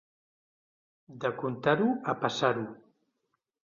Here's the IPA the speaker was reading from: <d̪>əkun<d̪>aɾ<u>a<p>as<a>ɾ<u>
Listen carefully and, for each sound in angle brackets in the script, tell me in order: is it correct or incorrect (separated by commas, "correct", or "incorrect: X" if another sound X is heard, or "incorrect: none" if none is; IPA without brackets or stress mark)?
correct, incorrect: t̪, correct, correct, correct, correct